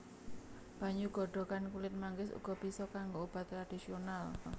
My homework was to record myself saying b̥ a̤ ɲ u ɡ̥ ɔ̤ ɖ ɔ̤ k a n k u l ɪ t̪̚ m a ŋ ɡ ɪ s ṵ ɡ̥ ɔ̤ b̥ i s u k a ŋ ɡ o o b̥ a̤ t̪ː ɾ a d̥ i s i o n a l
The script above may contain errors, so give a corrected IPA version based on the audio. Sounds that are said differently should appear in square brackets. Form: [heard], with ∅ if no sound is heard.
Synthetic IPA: b̥ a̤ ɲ u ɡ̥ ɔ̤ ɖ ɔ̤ k a n k u l ɪ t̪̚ m a ŋ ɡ ɪ s ṵ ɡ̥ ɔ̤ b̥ i s [ɔ] k a ŋ ɡ o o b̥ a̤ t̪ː ɾ a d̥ i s i o n a l